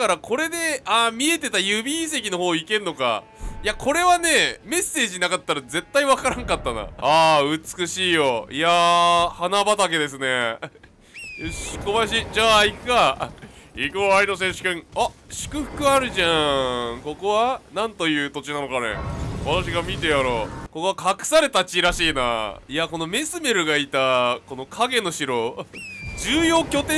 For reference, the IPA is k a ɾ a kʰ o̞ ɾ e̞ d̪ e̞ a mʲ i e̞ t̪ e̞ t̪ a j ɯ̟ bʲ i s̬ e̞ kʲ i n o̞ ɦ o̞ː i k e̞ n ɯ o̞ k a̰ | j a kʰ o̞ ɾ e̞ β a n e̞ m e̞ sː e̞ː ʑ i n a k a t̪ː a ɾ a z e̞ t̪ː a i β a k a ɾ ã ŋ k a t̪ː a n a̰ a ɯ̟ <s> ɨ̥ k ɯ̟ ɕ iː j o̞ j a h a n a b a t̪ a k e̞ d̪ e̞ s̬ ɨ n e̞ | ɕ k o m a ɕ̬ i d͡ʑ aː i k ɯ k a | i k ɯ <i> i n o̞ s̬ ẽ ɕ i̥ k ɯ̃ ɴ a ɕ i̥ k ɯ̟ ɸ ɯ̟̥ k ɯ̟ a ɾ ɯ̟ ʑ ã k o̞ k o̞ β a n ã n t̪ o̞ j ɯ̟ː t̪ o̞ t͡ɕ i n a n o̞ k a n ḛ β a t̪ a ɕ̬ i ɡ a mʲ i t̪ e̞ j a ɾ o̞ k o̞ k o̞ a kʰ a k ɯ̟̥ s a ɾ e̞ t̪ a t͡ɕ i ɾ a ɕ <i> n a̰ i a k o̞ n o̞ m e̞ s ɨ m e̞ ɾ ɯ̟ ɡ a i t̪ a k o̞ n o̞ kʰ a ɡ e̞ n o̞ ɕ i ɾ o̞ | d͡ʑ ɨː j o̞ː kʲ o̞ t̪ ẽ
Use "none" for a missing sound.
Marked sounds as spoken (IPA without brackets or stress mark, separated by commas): t͡s, a, iː